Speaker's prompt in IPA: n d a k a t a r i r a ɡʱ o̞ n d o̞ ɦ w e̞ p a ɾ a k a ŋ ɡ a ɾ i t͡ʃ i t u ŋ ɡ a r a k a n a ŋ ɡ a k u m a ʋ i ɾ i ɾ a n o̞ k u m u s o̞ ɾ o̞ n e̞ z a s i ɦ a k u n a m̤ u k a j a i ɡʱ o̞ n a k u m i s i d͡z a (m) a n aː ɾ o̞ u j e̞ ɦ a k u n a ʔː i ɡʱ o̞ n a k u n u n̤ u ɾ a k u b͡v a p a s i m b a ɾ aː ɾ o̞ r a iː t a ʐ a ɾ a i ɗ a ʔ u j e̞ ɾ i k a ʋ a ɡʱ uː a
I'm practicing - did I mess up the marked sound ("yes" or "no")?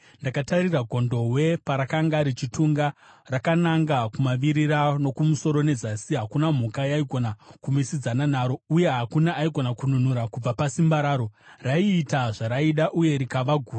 yes